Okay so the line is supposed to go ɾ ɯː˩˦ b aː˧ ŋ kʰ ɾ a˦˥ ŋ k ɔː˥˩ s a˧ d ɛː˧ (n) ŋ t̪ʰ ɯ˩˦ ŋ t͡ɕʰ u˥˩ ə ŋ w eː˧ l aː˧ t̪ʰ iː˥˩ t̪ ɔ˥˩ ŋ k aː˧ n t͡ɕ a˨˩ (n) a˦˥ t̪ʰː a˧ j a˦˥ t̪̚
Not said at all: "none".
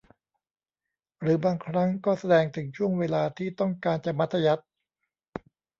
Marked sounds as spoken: none, m

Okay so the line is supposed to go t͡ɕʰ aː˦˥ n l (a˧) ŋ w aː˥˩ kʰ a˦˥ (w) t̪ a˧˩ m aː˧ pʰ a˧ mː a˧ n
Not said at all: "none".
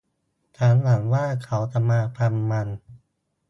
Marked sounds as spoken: a˩˦, w

